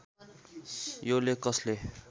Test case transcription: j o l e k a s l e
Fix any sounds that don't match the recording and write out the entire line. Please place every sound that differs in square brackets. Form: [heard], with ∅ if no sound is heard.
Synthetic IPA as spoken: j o l e k [ʌ] s l e